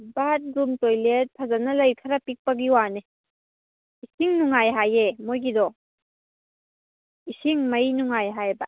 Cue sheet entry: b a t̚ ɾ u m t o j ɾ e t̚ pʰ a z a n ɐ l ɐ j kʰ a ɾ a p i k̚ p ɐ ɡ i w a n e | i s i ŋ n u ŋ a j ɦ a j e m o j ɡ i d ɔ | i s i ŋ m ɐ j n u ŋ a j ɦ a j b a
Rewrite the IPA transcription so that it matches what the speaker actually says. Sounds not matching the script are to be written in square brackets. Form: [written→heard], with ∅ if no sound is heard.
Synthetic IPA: b a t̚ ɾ u m t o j [ɾ→l] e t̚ pʰ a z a n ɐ l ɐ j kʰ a ɾ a p i k̚ p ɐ ɡ i w a n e | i s i ŋ n u ŋ a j ɦ a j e m o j ɡ i d ɔ | i s i ŋ m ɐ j n u ŋ a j ɦ a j b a